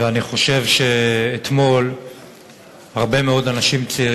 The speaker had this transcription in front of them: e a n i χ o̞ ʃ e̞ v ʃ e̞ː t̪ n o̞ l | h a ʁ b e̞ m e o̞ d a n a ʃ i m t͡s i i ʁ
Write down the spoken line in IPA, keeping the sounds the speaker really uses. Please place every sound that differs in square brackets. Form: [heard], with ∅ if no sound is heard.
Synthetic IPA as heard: e a n i χ o̞ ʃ e̞ v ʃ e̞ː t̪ [m] o̞ l | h a ʁ b e̞ m e o̞ d a n a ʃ i m t͡s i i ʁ